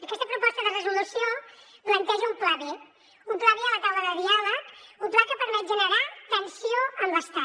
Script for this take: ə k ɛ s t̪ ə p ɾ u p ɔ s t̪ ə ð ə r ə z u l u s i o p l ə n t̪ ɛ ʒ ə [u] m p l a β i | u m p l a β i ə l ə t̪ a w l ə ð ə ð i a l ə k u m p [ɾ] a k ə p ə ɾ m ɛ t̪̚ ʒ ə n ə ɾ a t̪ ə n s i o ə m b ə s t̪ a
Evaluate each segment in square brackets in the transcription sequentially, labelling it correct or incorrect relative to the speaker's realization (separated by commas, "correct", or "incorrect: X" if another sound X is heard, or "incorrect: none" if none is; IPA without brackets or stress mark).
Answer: correct, incorrect: l